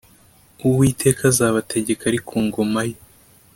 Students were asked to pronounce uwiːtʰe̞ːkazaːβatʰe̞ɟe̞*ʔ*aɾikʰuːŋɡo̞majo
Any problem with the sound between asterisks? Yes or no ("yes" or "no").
yes